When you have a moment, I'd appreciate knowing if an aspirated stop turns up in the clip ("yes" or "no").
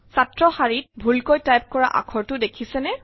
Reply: yes